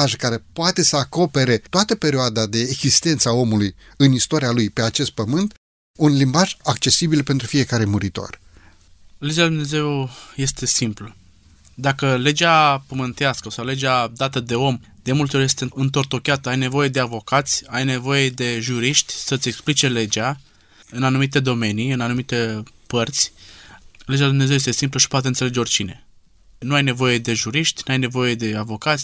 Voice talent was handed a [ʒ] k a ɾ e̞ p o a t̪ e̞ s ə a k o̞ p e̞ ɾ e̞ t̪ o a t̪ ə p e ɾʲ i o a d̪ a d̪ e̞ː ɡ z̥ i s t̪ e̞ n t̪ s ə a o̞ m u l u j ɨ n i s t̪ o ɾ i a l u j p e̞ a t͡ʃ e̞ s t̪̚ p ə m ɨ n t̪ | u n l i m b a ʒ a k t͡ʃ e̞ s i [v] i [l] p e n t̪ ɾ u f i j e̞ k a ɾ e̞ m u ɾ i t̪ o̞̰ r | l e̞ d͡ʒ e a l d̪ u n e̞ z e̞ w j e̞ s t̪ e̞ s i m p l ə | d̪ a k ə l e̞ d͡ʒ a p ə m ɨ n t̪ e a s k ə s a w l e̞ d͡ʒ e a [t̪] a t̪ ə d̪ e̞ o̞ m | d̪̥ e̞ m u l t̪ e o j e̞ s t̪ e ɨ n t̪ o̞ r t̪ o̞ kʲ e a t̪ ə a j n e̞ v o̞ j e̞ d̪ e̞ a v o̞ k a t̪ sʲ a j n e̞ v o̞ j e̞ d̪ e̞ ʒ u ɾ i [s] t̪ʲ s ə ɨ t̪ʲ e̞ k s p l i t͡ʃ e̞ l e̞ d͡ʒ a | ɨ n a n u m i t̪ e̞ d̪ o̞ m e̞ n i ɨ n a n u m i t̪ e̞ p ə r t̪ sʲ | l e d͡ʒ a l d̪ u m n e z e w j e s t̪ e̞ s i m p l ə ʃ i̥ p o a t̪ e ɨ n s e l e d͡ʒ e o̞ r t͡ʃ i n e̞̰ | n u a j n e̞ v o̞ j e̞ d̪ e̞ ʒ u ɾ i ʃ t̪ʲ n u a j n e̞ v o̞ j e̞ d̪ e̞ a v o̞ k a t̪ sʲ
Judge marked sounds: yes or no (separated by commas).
yes, no, yes, no, no